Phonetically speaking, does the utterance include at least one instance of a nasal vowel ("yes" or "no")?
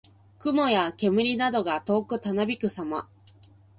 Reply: no